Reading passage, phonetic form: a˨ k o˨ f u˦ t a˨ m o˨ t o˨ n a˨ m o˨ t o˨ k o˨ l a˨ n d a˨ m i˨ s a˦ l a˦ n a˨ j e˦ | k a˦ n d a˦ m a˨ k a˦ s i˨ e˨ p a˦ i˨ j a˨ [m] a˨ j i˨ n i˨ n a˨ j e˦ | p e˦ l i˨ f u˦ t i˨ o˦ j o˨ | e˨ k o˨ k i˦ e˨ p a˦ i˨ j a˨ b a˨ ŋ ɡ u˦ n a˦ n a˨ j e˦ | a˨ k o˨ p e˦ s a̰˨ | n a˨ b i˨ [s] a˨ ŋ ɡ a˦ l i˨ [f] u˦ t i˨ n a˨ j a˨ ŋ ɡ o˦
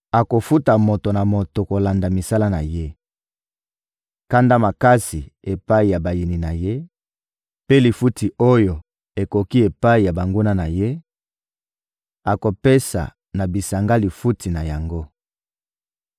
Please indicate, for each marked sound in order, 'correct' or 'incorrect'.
incorrect: b, correct, correct

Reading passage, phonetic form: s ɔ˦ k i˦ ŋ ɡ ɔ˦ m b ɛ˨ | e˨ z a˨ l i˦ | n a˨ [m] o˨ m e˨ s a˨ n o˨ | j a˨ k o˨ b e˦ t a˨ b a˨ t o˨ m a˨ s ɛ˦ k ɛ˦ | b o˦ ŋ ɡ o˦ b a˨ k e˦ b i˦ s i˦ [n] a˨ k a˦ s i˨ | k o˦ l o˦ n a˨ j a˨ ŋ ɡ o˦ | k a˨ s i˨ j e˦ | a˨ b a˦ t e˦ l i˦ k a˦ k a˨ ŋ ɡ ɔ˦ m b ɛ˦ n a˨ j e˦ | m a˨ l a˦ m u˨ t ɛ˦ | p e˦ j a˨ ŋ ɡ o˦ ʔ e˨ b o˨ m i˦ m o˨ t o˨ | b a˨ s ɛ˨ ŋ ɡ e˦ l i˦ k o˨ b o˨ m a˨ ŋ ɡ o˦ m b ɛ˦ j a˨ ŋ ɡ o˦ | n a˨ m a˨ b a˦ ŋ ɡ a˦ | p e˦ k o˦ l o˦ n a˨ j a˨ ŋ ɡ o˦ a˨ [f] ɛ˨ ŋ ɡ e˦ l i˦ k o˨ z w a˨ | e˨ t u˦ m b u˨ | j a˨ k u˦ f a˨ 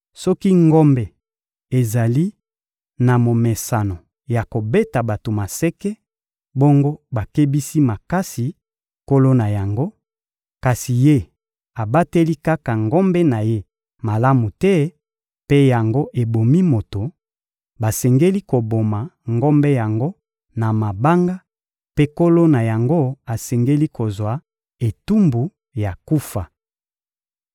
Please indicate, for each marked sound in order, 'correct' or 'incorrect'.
correct, incorrect: m, incorrect: s

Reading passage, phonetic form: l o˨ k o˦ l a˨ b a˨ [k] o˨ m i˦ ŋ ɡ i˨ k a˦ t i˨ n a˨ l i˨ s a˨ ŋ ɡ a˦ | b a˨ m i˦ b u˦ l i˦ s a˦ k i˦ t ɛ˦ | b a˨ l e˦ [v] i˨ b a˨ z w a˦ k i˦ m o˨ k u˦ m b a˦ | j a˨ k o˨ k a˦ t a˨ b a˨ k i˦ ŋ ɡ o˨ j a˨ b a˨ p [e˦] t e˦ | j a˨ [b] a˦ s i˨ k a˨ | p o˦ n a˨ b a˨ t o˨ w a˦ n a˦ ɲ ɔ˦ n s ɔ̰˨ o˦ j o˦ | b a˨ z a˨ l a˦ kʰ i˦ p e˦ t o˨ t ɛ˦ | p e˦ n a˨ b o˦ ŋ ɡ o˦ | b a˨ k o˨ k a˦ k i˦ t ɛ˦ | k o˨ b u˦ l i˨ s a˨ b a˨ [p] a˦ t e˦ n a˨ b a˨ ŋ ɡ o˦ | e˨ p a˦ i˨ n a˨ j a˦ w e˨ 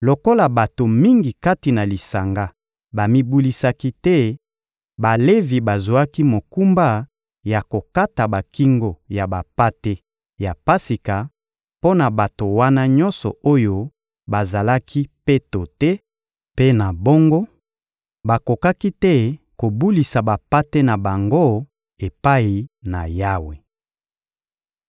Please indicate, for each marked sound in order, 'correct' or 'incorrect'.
incorrect: t, correct, incorrect: a˦, incorrect: p, correct

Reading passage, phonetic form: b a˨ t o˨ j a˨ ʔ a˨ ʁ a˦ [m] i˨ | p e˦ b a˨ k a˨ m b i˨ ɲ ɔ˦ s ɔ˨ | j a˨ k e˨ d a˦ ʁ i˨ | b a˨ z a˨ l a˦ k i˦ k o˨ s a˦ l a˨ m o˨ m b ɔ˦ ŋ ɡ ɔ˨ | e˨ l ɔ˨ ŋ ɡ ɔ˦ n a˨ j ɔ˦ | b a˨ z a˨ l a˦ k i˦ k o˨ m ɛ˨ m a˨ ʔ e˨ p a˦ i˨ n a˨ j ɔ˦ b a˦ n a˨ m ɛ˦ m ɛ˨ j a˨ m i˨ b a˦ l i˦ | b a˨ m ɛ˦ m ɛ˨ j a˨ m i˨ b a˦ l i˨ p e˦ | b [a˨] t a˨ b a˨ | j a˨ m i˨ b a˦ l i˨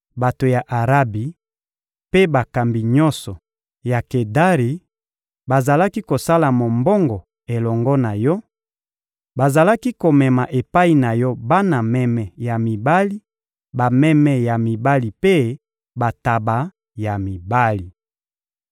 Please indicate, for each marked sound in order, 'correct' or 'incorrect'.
incorrect: b, correct

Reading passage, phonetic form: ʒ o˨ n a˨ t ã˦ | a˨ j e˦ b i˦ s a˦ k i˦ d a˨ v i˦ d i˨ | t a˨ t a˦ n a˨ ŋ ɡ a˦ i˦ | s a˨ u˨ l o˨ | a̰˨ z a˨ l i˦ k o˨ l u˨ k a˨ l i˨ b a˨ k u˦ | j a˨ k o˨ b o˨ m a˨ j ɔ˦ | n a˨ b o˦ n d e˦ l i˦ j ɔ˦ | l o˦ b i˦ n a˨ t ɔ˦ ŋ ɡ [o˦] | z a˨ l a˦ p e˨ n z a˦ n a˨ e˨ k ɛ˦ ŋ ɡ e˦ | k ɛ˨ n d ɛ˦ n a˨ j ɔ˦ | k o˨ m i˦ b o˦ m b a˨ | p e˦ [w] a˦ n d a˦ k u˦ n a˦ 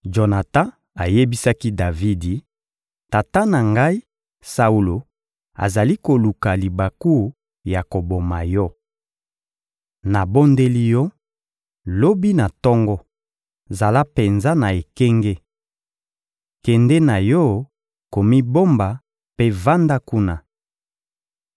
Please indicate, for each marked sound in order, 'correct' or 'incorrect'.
incorrect: ɔ˦, incorrect: v

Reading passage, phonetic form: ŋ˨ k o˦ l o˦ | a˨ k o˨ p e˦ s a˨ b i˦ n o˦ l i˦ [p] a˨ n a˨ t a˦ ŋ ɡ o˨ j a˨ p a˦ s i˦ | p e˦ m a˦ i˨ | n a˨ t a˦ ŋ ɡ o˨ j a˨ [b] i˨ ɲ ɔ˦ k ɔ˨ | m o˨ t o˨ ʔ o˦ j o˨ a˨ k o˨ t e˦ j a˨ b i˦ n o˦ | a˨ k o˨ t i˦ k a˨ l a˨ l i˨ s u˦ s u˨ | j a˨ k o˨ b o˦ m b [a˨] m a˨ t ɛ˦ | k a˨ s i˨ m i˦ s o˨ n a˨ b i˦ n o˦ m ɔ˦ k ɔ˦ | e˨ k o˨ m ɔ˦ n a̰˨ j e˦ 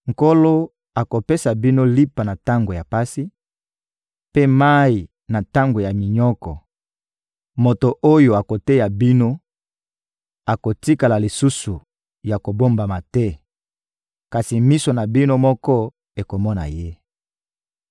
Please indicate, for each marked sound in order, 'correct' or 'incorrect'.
correct, incorrect: m, correct

